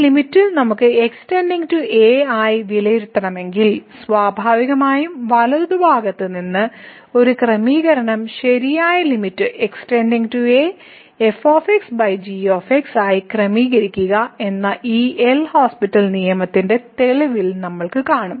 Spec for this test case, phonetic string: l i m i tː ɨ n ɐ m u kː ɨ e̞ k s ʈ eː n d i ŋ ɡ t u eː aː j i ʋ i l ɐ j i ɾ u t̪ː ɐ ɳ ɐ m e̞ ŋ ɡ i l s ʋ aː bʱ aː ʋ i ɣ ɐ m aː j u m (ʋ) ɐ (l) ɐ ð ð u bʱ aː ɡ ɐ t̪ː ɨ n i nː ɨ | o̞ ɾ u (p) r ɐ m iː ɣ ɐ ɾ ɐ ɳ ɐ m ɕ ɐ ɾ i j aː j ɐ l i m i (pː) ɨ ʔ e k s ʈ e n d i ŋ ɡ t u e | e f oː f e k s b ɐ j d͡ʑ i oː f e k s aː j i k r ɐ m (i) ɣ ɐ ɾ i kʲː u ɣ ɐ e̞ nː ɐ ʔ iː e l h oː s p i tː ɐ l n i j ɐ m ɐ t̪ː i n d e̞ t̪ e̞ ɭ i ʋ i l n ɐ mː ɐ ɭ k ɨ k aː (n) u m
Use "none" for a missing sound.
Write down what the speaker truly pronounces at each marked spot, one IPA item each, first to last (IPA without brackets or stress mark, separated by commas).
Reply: ʋ, l, k, tː, iː, ɳ